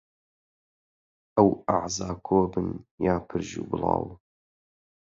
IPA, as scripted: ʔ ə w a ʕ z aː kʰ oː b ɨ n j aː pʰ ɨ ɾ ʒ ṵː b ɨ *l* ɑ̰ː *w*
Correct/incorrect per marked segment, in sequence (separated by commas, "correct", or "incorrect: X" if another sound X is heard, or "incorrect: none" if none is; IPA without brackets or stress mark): correct, correct